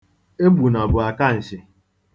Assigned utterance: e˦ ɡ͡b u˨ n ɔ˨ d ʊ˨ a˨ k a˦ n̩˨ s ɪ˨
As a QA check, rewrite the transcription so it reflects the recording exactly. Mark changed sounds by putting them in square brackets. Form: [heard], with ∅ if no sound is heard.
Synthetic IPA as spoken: e˦ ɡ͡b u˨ n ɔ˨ [b] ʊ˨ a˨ k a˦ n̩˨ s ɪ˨